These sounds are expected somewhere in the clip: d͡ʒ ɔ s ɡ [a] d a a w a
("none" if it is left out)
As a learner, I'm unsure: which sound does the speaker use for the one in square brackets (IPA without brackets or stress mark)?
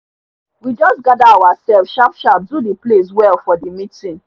a